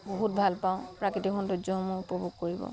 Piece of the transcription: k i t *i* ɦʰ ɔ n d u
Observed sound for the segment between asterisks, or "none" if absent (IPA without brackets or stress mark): i